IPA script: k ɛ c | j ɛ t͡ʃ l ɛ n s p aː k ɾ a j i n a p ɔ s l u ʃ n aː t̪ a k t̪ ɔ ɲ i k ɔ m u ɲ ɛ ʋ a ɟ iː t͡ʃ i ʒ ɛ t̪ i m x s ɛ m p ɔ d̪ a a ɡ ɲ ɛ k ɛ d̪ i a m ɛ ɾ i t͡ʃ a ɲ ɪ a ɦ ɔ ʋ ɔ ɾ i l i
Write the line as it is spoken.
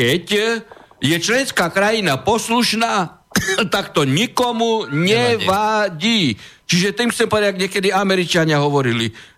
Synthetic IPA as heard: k ɛ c | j ɛ t͡ʃ l ɛ n s k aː k ɾ a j i n a p ɔ s l u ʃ n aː t̪ a k t̪ ɔ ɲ i k ɔ m u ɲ ɛ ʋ a ɟ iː t͡ʃ i ʒ ɛ t̪ i m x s ɛ m p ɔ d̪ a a ɡ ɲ ɛ k ɛ d̪ i a m ɛ ɾ i t͡ʃ a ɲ ɪ a ɦ ɔ ʋ ɔ ɾ i l i